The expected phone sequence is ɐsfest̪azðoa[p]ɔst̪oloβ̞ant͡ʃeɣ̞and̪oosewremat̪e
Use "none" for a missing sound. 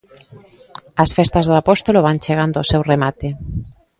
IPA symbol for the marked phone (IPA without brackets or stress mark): p